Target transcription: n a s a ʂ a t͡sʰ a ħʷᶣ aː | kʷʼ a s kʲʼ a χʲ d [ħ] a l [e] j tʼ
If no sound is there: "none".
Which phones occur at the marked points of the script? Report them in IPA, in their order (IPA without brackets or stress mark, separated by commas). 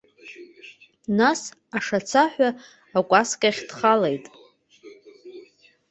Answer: χ, e